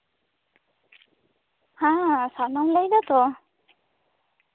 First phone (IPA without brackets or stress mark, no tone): h